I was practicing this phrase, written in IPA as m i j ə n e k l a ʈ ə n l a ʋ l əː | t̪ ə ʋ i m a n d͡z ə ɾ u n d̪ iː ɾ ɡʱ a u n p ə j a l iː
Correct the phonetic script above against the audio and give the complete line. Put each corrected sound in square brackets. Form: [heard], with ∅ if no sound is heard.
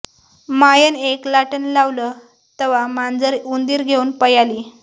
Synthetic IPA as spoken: m [a] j ə n e k l a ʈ ə n l a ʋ l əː | t̪ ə ʋ [a] m a n d͡z ə ɾ u n d̪ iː ɾ ɡʱ [e] u n p ə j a l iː

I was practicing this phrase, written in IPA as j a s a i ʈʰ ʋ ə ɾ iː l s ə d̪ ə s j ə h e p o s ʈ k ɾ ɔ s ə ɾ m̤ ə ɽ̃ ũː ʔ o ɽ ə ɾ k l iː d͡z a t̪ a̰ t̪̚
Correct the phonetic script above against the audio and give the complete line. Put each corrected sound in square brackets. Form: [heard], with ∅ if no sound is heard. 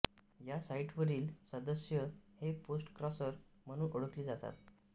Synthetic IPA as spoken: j a s a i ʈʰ ʋ ə ɾ iː l s ə d̪ ə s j ə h e p o s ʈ k ɾ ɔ s ə ɾ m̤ ə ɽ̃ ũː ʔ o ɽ ə [∅] k l iː d͡z a t̪ a̰ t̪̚

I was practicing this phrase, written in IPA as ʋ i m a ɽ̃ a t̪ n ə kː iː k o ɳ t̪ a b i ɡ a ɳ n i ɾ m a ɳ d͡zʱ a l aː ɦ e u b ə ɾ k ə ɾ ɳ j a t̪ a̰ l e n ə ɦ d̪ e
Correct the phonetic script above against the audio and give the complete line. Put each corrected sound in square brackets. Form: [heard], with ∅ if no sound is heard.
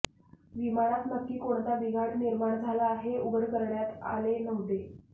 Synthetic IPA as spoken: ʋ i m a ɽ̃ a t̪ n ə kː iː k o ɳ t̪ a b i ɡ a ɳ n i ɾ m a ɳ d͡zʱ a l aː ɦ e u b ə ɾ k ə ɾ ɳ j a t̪ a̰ l e n ə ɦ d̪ e

